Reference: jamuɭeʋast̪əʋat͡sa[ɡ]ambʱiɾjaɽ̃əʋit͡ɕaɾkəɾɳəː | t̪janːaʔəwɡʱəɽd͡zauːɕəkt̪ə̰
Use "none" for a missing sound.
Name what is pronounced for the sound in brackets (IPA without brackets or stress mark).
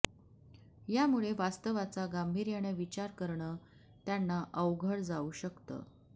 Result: ɡ